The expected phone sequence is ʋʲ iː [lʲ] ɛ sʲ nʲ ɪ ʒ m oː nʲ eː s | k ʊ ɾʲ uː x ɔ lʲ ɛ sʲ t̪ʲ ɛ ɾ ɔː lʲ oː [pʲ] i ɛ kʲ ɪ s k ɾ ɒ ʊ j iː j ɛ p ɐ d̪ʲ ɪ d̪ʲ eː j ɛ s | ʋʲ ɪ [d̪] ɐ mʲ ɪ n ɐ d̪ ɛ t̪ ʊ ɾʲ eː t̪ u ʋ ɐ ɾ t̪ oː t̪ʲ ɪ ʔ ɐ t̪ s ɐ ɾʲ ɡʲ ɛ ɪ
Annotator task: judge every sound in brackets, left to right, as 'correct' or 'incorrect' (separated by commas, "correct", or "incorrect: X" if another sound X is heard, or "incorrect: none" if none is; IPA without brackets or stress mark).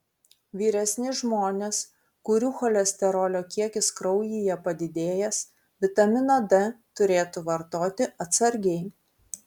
incorrect: ɾʲ, incorrect: kʲ, incorrect: t̪